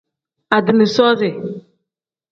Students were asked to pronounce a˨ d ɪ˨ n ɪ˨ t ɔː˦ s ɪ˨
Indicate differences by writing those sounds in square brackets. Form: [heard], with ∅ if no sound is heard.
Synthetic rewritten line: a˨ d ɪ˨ n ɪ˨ [s] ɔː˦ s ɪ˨

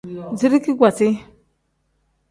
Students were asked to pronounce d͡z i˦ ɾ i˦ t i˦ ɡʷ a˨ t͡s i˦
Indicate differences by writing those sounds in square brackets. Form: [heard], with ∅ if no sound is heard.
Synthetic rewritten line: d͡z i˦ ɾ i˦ [k] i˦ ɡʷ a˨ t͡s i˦

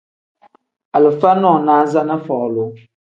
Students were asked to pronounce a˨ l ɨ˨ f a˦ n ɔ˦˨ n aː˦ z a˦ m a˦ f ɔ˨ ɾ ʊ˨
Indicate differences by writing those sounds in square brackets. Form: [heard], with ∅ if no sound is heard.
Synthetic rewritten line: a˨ l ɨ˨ f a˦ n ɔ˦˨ n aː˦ z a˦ [n] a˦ f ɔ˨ [l] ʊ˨

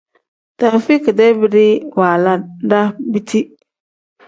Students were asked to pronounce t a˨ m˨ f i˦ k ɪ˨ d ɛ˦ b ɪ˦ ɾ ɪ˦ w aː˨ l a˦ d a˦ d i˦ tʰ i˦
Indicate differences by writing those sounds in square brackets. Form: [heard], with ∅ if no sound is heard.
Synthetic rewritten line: t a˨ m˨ f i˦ k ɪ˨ d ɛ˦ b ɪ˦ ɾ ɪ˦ w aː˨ l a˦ d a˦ [b] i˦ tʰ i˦

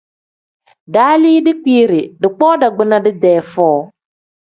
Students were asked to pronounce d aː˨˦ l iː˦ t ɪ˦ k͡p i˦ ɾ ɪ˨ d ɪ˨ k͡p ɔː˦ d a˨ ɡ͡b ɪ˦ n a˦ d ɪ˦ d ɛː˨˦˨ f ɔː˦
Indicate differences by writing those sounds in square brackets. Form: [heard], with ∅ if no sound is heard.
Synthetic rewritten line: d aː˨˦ l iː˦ [d] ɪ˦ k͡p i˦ ɾ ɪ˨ d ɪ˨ k͡p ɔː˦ d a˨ ɡ͡b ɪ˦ n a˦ d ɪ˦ d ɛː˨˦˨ f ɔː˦

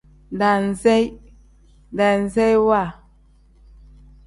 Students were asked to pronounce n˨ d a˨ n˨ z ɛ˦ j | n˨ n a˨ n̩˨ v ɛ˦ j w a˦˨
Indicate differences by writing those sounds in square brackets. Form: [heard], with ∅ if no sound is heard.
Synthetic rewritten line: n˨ d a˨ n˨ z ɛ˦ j | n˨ [d] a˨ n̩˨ [z] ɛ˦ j w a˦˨

